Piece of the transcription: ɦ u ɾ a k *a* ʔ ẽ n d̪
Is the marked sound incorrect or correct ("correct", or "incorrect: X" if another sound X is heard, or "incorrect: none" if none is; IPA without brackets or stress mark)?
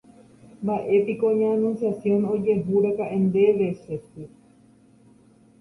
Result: correct